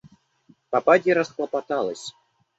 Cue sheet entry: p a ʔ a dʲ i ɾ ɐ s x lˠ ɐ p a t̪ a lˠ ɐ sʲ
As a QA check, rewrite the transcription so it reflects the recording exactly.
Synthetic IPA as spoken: p a p a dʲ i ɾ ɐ s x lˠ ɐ p a t̪ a lˠ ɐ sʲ